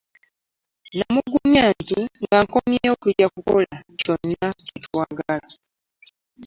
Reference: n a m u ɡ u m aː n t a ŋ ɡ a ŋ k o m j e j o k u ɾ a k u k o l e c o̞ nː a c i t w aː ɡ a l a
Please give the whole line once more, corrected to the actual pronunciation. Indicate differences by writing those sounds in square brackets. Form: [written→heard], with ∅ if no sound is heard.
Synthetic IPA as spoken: n a m u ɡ u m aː n t [a→i] ŋ ɡ a ŋ k o m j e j o k u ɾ a k u k o l [e→a] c o̞ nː a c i t w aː ɡ a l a